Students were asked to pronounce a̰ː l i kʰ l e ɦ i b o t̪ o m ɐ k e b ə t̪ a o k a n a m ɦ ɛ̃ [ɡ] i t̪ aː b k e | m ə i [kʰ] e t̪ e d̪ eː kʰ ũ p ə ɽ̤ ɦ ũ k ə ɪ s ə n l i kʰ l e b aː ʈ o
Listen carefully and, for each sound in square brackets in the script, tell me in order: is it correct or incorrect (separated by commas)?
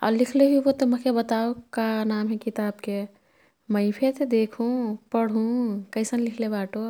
incorrect, incorrect